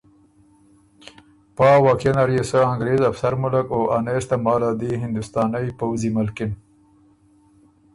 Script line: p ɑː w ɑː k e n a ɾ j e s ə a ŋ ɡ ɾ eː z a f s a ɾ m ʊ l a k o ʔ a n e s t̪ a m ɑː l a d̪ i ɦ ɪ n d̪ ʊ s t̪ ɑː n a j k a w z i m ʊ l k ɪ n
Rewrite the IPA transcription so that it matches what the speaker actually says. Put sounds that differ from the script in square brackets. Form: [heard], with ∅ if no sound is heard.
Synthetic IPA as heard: p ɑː w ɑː k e n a ɾ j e s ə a ŋ ɡ ɾ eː z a f s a ɾ m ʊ l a k o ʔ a n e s t̪ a m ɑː l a d̪ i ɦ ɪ n d̪ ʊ s t̪ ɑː n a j [p] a w z i m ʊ l k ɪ n